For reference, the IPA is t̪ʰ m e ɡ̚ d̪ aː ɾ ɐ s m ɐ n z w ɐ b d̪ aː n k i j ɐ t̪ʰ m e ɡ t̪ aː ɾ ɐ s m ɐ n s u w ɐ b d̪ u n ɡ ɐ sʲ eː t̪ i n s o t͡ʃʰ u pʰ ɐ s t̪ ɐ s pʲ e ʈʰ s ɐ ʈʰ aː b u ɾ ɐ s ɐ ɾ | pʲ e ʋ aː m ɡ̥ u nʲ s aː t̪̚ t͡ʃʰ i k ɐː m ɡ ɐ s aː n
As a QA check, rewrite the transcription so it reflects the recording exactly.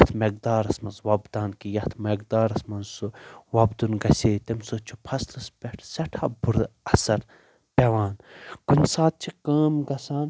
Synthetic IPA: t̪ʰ m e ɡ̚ d̪ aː ɾ ɐ s m ɐ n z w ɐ b d̪ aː n k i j ɐ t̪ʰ m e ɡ d̪ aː ɾ ɐ s m ɐ n s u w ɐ b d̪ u n ɡ ɐ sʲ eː t̪ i m s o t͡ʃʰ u pʰ ɐ s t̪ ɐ s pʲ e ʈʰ s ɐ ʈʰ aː b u ɾ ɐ s ɐ ɾ | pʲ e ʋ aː n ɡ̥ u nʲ s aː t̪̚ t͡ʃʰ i k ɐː m ɡ ɐ s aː n